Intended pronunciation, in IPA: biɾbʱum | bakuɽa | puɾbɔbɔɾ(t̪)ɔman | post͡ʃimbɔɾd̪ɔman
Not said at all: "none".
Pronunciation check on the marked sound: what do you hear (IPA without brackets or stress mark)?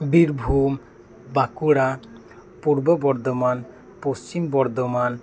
d̪